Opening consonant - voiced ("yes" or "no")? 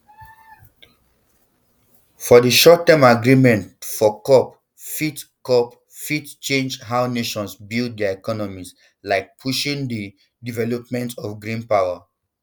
no